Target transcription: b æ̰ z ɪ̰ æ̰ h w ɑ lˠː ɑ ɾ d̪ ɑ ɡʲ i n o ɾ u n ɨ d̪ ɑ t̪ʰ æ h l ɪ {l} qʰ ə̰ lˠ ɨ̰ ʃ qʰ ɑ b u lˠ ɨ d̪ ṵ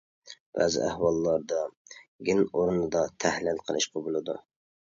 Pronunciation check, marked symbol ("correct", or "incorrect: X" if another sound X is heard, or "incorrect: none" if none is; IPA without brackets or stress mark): correct